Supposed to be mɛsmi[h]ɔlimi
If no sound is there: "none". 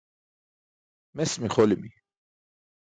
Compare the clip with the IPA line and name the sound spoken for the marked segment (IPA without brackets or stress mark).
χ